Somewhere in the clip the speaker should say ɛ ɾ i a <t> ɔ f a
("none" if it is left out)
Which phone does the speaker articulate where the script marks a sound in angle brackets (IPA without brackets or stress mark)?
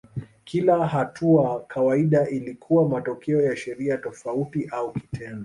t